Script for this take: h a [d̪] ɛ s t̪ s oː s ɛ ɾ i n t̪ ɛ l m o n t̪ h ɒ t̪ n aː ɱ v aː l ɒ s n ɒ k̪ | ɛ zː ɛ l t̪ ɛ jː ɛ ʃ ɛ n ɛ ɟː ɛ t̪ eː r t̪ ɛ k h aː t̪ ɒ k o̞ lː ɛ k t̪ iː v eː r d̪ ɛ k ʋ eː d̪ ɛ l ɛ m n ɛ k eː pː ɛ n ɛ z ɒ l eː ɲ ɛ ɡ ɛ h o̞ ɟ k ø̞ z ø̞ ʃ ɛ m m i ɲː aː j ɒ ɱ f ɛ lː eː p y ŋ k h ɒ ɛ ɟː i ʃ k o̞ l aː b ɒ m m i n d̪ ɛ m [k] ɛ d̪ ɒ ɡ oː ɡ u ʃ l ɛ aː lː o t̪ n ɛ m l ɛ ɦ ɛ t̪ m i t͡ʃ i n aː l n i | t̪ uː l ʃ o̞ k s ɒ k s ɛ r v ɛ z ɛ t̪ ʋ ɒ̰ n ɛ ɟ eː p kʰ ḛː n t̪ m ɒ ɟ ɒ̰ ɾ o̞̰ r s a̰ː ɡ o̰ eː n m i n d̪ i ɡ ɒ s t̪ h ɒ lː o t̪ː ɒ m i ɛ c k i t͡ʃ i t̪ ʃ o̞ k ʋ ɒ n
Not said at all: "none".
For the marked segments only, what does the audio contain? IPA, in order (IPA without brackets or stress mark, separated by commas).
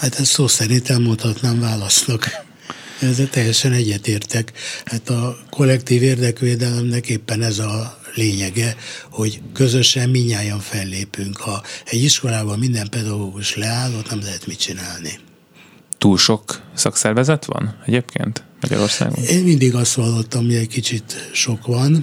t̪, p